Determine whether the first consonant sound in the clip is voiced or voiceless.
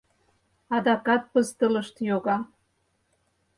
voiced